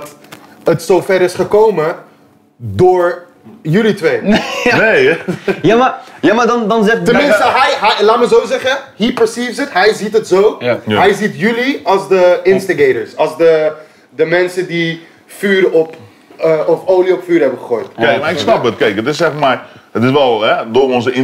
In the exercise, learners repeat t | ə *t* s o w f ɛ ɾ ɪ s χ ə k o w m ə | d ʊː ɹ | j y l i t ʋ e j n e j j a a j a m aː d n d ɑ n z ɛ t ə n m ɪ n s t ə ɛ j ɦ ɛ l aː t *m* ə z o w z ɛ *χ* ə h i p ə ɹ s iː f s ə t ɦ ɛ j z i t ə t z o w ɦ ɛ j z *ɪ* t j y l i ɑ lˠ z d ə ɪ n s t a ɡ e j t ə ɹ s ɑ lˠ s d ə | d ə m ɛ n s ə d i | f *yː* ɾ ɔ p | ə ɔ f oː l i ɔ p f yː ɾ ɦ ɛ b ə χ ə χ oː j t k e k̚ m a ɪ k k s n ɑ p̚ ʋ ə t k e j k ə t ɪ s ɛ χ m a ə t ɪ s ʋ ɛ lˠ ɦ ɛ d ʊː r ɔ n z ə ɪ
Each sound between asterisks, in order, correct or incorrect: correct, correct, correct, incorrect, correct

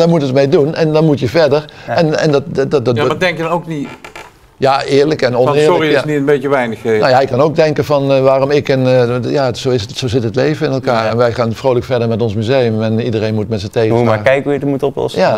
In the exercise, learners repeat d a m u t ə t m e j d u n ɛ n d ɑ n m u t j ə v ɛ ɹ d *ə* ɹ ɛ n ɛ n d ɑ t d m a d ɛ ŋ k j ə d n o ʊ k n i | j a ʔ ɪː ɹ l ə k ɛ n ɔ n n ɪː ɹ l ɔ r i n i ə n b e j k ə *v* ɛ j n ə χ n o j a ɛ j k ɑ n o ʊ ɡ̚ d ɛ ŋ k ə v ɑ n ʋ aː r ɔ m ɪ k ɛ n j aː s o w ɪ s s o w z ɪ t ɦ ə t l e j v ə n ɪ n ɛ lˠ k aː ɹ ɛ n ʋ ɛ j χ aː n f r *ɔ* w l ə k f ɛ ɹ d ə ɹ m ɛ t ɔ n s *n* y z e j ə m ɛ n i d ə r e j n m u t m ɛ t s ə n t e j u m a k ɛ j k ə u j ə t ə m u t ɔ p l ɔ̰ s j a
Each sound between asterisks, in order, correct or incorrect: correct, incorrect, incorrect, incorrect

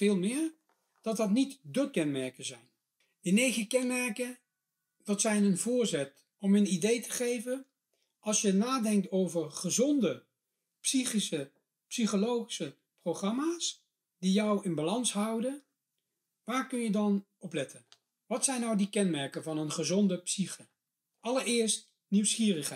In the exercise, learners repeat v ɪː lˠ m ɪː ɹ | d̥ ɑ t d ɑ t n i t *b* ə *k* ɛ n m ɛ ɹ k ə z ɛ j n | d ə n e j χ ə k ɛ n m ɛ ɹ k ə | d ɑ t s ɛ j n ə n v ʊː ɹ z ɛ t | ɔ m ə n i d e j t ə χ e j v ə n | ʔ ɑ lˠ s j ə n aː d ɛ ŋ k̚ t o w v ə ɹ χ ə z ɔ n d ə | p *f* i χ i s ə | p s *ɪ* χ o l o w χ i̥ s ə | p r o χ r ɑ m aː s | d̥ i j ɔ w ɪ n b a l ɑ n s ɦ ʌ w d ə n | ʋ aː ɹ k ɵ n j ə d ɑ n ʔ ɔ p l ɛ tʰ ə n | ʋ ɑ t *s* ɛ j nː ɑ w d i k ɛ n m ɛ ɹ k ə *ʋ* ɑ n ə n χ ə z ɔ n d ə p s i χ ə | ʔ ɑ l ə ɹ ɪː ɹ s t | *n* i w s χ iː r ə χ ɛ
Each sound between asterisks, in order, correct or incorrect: incorrect, correct, incorrect, incorrect, correct, incorrect, correct

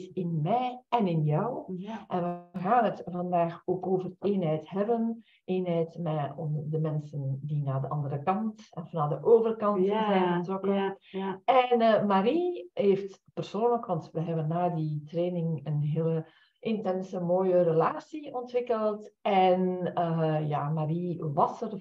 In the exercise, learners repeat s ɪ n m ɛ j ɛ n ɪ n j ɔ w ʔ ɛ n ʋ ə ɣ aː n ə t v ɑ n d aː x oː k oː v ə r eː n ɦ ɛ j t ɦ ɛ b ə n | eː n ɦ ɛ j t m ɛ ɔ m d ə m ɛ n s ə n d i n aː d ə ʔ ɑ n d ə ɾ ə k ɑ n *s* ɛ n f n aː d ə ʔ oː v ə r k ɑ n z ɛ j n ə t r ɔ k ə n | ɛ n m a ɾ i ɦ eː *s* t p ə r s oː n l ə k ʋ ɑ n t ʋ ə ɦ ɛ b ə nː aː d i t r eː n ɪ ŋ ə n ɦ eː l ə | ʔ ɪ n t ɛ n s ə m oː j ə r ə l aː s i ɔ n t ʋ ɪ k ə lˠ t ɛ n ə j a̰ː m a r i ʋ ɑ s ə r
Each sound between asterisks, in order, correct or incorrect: incorrect, incorrect

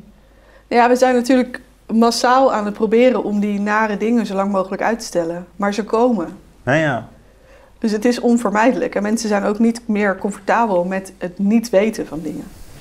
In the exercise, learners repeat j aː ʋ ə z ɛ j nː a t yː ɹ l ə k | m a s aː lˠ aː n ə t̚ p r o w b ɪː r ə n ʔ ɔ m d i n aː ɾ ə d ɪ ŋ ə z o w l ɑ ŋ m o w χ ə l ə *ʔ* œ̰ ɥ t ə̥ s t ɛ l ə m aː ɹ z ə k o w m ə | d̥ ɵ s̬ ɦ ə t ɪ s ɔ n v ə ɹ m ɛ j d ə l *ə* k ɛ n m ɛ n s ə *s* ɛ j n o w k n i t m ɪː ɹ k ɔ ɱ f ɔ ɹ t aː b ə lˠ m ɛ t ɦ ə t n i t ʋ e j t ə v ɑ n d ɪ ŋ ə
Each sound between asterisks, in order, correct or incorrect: incorrect, correct, incorrect

